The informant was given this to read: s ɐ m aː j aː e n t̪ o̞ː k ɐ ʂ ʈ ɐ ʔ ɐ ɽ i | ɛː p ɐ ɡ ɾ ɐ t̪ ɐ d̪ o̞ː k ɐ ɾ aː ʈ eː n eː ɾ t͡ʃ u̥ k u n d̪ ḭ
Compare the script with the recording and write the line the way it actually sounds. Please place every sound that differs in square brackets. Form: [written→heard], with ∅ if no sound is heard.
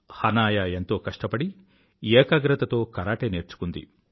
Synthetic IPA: [s→h] ɐ [m→n] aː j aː e n t̪ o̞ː k ɐ ʂ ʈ ɐ [ʔ→p] ɐ ɽ i | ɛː [p→k] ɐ ɡ ɾ ɐ t̪ ɐ [d̪→t̪] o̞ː k ɐ ɾ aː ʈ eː n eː ɾ t͡ʃ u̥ k u n d̪ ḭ